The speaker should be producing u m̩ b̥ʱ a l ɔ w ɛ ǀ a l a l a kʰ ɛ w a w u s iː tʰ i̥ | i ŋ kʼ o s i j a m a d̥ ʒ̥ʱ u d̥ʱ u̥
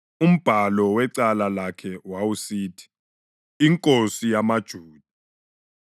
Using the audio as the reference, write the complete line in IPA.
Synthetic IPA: u m̩ b̥ʱ a l ɔ w ɛ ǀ a l a l a kʰ ɛ w a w u s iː tʰ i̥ | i ŋ kʼ o s i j a m a d̥ ʒ̥ʱ uː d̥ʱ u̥

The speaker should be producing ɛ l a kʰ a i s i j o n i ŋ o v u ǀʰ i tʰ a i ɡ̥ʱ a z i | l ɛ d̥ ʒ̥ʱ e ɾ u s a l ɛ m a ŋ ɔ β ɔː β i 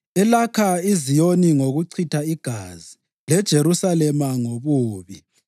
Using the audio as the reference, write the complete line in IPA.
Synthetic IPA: ɛ l a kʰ a i z i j o n i ŋ o ɣ u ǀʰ i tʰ a i ɡ̥ʱ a z i | l ɛ d̥ ʒ̥ʱ e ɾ u s a l ɛ m a ŋ o β uː β i

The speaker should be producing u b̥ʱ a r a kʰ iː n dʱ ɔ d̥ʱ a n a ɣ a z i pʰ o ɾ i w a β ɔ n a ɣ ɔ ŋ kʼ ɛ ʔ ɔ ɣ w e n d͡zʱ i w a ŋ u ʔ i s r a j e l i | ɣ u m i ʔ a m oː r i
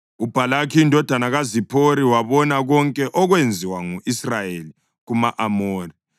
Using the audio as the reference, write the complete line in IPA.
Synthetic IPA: u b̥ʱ a l a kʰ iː n dʱ ɔ d̥ʱ a n a ɣ a z i pʰ o ɾ i w a β ɔ n a ɣ ɔ ŋ kʼ ɛ ʔ ɔ ɣ w e n d͡zʱ i w a ŋ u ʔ i s r a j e l i | ɣ u m a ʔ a m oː r i

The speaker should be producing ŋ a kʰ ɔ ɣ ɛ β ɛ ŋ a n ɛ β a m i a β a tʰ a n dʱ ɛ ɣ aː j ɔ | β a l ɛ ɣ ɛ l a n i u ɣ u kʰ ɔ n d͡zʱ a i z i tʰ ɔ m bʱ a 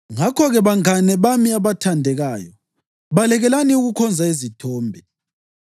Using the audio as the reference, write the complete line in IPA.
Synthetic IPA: ŋ a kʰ ɔ ɣ ɛ β a ŋ a n ɛ β a m i a β a tʰ a n dʱ ɛ ɣ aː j ɔ | β a l ɛ ɣ ɛ l a n i u ɣ u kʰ ɔ n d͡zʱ a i z i tʰ ɔː m bʱ ɛ

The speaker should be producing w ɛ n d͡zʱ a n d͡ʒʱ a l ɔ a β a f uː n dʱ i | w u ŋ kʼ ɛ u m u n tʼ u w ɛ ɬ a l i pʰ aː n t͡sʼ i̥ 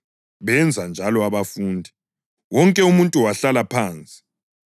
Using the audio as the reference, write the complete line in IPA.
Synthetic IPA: β ɛ n d͡zʱ a n d͡ʒʱ a l ɔ a β a f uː n dʱ i | w ɔ ŋ kʼ ɛ u m u n tʼ u w a ɬ a l a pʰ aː n t͡sʼ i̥

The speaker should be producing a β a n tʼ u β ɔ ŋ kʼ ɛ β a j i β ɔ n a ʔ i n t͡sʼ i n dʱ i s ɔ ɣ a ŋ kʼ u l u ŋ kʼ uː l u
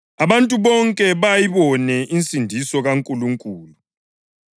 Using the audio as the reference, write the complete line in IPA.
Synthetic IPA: a β a n tʼ u β ɔ ŋ kʼ ɛ β a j i β ɔ n ɛ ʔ i n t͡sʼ i n dʱ i s ɔ ɣ a ŋ kʼ u l u ŋ kʼ uː l u

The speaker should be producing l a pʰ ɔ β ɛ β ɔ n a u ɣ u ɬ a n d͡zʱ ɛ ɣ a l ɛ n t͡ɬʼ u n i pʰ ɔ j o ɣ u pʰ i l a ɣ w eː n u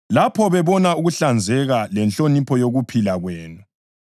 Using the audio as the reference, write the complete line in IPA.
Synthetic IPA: l a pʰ ɔ β ɛ β ɔ n a u ɣ u ɬ a n d͡zʱ ɛ ɣ a l ɛ n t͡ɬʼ o n i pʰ ɔ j o ɣ u pʰ i l a ɣ w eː n u

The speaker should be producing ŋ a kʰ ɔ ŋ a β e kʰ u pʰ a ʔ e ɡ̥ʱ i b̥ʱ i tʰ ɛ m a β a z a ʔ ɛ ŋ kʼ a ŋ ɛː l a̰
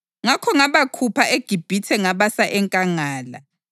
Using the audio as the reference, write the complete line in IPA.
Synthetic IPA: ŋ a kʰ ɔ ŋ a β a kʰ u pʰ a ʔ e ɡ̥ʱ i b̥ʱ i tʰ ɛ ŋ a β a s a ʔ ɛ ŋ kʼ a ŋ aː l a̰

